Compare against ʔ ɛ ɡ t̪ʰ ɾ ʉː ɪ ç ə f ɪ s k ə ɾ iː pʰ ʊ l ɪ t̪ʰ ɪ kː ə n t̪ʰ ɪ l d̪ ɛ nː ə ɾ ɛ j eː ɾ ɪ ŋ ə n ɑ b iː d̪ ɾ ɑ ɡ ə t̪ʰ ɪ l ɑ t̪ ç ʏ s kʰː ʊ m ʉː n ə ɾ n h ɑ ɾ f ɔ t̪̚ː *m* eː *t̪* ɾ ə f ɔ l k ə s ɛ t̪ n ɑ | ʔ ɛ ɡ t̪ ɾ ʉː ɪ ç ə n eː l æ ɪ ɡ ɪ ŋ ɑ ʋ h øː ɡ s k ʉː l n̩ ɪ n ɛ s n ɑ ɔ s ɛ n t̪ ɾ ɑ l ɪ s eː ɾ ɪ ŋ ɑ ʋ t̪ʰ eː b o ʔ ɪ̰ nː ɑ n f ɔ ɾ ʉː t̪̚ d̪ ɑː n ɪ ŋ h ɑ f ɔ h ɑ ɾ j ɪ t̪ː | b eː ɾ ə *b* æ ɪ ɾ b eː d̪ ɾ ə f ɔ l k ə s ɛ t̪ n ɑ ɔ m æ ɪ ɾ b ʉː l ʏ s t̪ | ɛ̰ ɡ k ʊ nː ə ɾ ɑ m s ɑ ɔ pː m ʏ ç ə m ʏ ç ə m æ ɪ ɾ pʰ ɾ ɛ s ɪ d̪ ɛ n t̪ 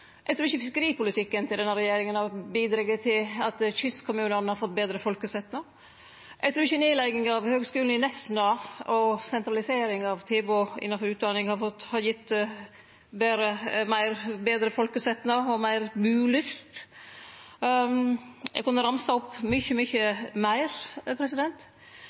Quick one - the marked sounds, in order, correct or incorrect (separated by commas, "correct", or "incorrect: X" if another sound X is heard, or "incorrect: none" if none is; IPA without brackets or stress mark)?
incorrect: b, incorrect: d̪, incorrect: m